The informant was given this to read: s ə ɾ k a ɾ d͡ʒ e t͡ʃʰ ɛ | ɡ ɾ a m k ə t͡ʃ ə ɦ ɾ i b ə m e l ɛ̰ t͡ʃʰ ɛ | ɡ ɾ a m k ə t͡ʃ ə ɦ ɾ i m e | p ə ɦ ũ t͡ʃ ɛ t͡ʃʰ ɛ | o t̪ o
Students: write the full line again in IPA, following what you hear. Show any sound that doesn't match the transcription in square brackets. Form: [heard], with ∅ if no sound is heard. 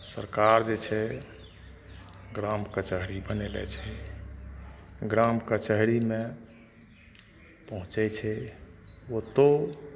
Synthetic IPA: s ə ɾ k a ɾ d͡ʒ e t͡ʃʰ ɛ | ɡ ɾ a m k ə t͡ʃ ə ɦ ɾ i b ə [n] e l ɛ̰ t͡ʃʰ ɛ | ɡ ɾ a m k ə t͡ʃ ə ɦ ɾ i m e | p ə ɦ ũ t͡ʃ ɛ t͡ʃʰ ɛ | o t̪ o